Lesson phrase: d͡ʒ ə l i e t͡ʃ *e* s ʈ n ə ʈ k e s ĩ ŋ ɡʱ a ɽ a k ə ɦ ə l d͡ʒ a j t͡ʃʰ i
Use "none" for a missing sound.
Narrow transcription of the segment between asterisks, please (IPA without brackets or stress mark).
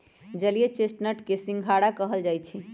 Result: e